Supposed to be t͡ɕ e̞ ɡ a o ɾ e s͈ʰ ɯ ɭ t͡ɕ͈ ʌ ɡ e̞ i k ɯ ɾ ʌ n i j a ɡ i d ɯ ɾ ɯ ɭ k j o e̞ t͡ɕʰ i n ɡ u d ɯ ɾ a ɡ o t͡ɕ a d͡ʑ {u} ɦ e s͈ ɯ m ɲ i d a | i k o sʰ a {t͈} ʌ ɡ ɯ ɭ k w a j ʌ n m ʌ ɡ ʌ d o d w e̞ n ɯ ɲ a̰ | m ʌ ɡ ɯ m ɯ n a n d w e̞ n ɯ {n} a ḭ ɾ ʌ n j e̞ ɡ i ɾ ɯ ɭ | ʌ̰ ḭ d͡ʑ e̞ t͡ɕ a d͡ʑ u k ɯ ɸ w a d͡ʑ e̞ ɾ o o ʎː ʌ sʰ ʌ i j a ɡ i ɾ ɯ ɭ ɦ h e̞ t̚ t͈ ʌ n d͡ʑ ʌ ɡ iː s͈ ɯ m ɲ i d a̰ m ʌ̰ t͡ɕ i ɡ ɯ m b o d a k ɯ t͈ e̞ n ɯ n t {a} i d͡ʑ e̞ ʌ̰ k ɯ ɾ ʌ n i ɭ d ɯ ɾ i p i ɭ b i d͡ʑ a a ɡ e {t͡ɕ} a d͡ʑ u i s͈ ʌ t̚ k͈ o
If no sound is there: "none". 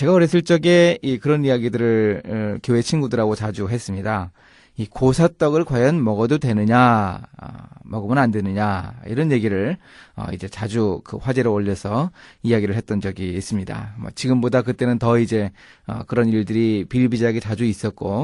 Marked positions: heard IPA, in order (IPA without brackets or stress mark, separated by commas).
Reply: u, t͈, ɲ, ʌ, t͡ɕ